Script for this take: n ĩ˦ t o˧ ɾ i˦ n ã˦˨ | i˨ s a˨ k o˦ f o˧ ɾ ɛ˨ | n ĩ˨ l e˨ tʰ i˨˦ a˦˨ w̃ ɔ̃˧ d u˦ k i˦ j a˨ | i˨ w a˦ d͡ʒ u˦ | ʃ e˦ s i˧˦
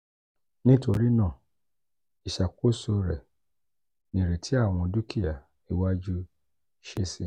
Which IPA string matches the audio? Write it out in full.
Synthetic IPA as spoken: n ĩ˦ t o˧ ɾ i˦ n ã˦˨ | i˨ ʃ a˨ k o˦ s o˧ ɾ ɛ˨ | n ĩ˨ ɾ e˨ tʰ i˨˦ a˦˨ w̃ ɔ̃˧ d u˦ k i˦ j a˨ | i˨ w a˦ d͡ʒ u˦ | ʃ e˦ s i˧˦

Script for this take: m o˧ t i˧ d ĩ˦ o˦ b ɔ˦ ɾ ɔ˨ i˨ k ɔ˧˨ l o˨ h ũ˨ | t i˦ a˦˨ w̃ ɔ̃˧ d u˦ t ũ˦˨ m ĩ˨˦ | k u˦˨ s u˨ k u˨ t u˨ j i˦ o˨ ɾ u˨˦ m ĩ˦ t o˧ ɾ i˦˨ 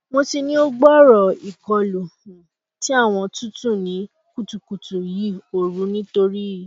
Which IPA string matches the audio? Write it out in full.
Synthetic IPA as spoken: m o˧ t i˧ n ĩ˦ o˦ ɡ͡b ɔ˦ ɾ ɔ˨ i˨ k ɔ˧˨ l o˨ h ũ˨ | t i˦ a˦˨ w̃ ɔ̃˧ t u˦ t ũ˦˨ n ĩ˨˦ | k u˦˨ t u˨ k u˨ t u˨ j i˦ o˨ ɾ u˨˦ n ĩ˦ t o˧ ɾ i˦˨

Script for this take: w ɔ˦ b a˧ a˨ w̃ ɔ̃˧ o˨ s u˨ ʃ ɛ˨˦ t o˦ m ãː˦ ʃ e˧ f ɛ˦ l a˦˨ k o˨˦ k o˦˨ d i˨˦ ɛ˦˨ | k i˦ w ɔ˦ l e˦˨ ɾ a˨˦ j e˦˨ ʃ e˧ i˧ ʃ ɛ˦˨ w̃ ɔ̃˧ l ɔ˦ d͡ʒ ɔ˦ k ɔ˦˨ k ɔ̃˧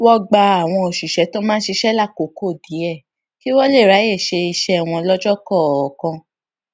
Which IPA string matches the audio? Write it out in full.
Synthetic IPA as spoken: w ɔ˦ ɡ͡b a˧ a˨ w̃ ɔ̃˧ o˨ ʃ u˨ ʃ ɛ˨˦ t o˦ m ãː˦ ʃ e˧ ʃ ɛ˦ l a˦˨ k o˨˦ k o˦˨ d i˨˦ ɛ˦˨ | k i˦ w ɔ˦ l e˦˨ ɾ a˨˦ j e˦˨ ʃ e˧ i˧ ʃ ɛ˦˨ w̃ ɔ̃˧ l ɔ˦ d͡ʒ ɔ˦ k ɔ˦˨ k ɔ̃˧

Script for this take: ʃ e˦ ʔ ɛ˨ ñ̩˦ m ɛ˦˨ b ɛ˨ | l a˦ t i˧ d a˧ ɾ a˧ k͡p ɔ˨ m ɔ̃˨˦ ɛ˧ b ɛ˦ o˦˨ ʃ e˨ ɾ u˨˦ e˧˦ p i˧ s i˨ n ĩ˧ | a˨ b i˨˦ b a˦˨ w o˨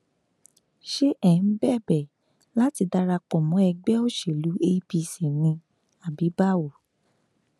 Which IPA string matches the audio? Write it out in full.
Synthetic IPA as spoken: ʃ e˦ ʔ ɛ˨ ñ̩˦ b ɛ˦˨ b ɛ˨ | l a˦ t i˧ d a˧ ɾ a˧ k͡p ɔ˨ m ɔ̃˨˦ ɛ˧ ɡ͡b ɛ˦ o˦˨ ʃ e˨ l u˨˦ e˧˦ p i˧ s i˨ n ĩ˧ | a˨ b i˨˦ b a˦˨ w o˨

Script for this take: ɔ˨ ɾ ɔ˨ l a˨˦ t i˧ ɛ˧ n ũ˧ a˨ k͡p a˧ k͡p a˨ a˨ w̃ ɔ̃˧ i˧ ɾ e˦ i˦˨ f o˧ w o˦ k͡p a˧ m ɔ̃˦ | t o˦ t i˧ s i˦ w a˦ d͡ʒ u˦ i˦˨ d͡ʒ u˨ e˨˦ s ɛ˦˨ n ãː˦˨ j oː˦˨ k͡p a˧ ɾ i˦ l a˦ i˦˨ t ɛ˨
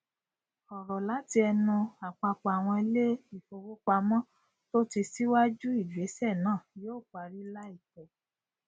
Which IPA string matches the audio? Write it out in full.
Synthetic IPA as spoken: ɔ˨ ɾ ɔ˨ l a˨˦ t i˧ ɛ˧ n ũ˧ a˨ k͡p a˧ k͡p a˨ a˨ w̃ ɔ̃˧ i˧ l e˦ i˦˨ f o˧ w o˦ k͡p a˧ m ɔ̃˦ | t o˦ t i˧ s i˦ w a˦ d͡ʒ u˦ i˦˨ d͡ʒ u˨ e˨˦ s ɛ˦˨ n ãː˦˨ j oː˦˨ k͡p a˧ ɾ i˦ l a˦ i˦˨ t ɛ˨

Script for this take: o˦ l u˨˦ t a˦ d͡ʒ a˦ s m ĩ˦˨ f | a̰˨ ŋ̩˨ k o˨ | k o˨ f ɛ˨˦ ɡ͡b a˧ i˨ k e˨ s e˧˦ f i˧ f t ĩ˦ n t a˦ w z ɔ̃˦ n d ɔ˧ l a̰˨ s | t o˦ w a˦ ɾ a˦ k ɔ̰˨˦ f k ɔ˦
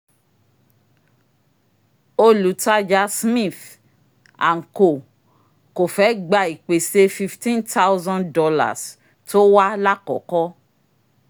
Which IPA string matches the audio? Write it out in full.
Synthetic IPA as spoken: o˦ l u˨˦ t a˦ d͡ʒ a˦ s m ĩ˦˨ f | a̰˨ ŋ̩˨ k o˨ | k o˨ f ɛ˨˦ ɡ͡b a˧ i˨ k͡p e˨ s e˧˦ f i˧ f t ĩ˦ n t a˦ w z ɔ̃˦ n d ɔ˧ l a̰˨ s | t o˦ w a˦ l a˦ k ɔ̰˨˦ k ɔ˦

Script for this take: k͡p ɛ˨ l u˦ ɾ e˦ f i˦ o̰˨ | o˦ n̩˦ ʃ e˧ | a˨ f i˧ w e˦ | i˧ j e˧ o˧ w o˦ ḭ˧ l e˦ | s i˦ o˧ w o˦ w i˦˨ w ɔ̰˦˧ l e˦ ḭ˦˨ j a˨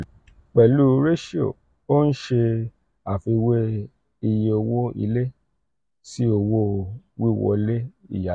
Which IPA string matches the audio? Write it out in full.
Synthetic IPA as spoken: k͡p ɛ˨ l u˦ ɾ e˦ ʃ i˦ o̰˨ | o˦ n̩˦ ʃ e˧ | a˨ f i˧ w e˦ | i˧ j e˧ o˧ w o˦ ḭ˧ l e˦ | s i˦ o˧ w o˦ w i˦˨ w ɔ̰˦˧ l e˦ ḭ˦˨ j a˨

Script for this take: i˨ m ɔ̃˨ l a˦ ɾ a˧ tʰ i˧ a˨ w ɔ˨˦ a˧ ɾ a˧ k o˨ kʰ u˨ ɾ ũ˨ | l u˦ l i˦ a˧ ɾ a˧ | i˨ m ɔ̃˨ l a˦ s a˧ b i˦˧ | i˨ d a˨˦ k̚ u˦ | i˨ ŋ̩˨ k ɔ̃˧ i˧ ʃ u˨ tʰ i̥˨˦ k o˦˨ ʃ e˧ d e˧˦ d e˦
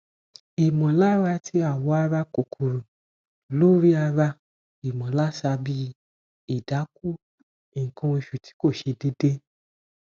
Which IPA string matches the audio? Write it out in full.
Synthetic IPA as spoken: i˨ m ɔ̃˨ l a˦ ɾ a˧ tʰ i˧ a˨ w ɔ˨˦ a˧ ɾ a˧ k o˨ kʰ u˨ ɾ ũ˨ | l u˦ ɾ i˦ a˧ ɾ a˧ | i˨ m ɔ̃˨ l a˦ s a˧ b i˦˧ | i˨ d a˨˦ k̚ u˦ | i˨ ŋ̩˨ k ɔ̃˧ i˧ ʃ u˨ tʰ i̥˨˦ k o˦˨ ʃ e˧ d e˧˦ d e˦

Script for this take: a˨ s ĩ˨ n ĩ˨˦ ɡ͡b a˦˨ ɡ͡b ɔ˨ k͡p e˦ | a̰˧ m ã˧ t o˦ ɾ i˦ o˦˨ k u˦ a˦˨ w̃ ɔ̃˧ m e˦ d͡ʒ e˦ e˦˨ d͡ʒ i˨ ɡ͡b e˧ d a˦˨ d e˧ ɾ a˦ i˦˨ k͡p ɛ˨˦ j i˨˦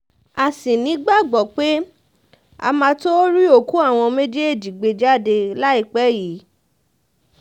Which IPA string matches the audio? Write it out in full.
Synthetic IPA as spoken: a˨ s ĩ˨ n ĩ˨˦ ɡ͡b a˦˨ ɡ͡b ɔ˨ k͡p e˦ | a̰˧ m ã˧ t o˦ ɾ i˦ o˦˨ k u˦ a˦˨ w̃ ɔ̃˧ m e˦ d͡ʒ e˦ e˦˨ d͡ʒ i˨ ɡ͡b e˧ d͡ʒ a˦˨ d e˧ l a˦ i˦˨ k͡p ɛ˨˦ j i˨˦

